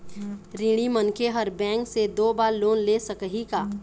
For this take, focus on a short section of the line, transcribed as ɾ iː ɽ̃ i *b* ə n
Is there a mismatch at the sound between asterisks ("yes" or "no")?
yes